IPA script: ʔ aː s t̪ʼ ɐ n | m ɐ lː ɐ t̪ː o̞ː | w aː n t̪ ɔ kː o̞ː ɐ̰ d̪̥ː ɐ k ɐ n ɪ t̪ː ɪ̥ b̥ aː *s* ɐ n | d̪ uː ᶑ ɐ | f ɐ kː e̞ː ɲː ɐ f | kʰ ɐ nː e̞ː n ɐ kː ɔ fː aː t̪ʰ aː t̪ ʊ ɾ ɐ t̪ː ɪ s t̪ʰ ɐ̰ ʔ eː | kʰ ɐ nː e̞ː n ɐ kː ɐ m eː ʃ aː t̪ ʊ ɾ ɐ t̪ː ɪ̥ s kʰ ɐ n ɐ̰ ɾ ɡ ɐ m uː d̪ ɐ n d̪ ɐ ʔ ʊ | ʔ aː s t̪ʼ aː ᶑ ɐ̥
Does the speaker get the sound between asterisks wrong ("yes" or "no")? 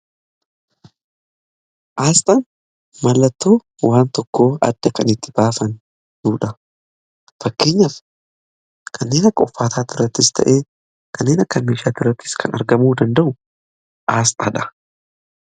yes